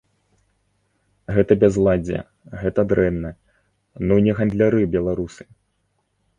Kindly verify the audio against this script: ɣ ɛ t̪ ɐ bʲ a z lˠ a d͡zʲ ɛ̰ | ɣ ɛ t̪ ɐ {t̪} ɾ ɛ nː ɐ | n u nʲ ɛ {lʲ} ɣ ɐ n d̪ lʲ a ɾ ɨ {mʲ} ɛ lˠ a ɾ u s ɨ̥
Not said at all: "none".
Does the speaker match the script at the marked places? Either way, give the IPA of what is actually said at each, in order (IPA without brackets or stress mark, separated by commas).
d̪, none, bʲ